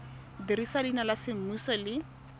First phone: d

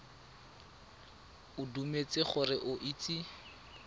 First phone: ʊ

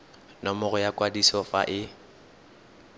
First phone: n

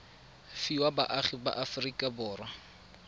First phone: f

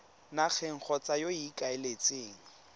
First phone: n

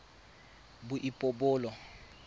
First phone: b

